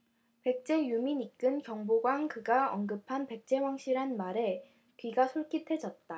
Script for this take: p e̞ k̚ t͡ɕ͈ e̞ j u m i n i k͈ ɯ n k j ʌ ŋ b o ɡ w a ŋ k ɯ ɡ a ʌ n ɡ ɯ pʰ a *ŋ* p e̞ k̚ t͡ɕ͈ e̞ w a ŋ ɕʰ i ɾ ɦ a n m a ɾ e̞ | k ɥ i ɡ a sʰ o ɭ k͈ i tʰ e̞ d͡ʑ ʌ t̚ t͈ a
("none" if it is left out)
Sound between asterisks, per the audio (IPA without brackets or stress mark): n